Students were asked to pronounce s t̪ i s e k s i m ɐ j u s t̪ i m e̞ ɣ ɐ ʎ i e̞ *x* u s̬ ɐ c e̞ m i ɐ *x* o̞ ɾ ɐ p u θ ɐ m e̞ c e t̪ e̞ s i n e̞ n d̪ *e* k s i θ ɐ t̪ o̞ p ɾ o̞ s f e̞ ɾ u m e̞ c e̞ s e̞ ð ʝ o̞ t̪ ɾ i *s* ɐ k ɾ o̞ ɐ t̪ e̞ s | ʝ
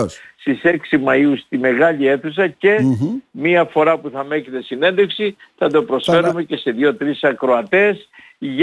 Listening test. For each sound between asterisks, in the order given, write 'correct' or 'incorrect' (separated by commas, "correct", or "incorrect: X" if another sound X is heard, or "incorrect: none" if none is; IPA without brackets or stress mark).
incorrect: θ, incorrect: f, correct, correct